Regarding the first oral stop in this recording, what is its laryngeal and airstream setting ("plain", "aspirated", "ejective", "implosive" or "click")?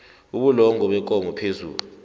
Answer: implosive